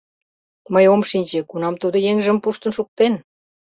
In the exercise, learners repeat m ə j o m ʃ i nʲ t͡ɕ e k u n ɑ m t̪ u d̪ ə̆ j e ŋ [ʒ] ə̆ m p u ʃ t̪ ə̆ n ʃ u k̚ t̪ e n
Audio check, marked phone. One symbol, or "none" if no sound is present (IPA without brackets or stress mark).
ʒ